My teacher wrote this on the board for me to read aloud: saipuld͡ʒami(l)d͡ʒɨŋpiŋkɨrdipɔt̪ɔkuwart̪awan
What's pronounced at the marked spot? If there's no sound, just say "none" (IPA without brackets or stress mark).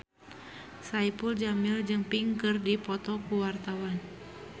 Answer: l